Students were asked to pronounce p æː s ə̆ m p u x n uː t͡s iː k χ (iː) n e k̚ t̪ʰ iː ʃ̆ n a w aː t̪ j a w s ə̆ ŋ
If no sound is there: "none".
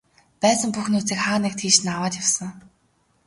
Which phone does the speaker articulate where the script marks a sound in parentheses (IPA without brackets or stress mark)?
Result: aː